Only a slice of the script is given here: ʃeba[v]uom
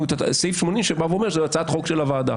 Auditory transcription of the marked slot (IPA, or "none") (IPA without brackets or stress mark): v